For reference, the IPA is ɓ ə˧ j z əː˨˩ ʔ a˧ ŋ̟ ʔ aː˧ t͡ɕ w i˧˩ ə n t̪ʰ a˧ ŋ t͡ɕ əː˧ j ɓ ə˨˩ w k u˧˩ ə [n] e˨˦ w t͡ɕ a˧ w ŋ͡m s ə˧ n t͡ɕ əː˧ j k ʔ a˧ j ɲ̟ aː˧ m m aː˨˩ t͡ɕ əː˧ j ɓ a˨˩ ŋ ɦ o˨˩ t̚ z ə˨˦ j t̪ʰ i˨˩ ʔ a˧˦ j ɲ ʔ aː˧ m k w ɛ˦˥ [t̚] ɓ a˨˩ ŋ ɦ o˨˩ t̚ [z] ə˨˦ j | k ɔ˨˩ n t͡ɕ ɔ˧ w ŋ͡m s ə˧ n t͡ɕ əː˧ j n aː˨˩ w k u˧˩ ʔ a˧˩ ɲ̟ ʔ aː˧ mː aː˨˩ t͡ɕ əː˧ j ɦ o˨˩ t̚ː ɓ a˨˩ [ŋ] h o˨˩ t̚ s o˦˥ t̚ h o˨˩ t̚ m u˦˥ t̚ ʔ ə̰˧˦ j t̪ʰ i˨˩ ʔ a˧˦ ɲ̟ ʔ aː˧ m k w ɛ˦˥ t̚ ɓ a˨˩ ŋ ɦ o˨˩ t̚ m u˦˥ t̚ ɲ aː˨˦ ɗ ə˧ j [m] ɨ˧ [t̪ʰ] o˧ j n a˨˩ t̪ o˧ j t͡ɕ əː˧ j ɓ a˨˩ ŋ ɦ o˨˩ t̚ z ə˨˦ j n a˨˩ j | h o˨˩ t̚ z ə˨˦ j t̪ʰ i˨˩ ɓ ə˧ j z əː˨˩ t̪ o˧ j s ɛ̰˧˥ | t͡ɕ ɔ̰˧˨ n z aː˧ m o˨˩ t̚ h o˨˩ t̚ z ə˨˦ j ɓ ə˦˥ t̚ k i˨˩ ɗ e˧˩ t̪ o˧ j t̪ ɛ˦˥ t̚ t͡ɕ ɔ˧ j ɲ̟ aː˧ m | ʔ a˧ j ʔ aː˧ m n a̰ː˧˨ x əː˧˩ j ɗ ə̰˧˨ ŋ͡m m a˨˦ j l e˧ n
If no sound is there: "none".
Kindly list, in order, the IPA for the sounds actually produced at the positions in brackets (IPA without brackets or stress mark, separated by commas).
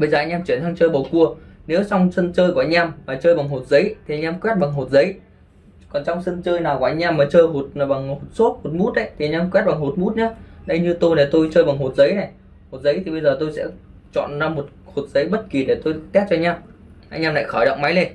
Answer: n, t̚, z, ŋ, ɲ, t̪